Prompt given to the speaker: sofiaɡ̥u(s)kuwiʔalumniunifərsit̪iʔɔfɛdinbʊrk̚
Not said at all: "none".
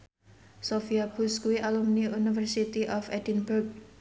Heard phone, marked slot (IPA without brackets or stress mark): s